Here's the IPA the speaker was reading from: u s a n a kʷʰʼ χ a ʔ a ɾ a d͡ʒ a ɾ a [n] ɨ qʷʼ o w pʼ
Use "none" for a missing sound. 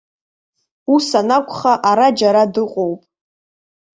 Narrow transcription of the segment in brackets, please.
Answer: d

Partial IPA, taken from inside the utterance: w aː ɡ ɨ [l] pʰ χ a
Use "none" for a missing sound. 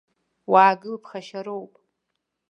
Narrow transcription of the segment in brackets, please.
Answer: l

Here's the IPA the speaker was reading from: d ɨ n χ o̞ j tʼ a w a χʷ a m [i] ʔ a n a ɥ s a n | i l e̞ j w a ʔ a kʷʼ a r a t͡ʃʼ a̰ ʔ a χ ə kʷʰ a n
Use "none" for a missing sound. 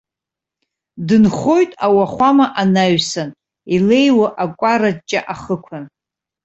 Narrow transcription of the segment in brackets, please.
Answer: a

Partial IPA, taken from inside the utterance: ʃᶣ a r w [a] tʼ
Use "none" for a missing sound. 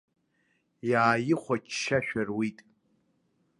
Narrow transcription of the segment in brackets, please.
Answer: i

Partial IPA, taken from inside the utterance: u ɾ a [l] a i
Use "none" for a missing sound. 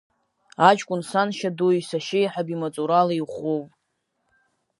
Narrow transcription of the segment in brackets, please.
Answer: l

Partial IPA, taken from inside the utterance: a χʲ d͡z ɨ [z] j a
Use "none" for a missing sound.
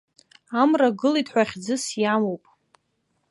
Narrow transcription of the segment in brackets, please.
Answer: s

